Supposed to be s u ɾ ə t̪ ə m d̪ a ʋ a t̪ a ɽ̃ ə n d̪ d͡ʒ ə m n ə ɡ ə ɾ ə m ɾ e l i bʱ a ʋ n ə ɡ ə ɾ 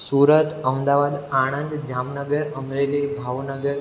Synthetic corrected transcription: s u ɾ ə t̪ ə m d̪ a ʋ a d̪ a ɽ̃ ə n d̪ d͡ʒ a m n ə ɡ ə ɾ ə m ɾ e l i bʱ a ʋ n ə ɡ ə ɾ